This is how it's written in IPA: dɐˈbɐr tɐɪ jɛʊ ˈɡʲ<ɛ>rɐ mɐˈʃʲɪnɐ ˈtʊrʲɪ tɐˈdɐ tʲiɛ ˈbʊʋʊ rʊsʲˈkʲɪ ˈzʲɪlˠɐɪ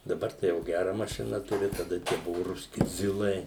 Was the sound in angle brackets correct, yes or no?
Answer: no